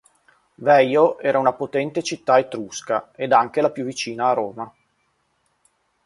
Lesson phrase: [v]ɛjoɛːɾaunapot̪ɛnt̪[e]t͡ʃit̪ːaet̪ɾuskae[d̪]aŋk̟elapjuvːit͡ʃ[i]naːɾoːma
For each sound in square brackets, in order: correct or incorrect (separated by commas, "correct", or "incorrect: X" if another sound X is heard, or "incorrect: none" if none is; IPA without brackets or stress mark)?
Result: correct, correct, correct, incorrect: iː